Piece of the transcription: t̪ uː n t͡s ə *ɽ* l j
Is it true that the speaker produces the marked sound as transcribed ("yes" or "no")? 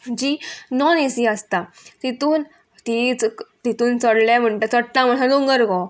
yes